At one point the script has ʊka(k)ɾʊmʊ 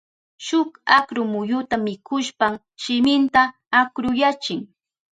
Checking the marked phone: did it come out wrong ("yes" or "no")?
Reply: no